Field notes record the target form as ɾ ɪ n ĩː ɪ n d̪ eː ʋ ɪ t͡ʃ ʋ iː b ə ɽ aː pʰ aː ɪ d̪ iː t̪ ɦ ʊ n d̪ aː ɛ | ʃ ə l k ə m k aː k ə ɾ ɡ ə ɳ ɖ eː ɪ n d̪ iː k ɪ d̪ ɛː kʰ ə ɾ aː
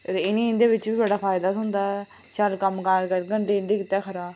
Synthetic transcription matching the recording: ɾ ɪ n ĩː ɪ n d̪ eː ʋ ɪ t͡ʃ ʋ iː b ə ɽ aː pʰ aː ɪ d̪ aː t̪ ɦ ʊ n d̪ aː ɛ | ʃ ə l k ə m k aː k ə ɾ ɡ ə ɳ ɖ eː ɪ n d̪ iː k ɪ t̪ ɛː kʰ ə ɾ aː